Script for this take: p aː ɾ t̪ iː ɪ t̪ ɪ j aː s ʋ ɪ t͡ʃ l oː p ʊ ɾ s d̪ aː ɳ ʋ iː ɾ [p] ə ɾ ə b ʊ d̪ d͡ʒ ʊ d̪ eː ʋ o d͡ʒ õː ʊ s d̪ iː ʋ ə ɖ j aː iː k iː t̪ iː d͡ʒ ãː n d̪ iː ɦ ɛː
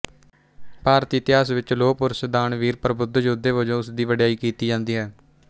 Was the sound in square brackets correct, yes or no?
yes